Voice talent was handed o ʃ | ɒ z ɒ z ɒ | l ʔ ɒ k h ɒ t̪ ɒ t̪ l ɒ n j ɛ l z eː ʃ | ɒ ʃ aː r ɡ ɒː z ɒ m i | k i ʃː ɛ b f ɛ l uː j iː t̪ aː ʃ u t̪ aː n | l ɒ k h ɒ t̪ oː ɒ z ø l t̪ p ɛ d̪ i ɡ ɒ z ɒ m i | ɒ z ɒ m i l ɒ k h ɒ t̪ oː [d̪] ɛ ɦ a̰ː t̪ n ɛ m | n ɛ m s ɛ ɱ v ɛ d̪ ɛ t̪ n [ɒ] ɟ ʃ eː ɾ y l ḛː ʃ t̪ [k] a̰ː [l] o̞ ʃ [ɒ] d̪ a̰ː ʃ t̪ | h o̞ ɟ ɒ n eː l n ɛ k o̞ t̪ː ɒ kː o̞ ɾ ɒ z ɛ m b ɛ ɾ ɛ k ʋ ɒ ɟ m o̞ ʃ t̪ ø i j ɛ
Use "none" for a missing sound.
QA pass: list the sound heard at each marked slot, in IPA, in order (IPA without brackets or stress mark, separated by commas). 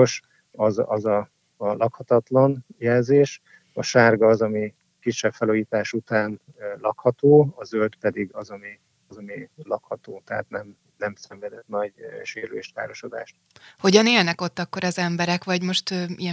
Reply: t̪, ɒ, k, ɾ, o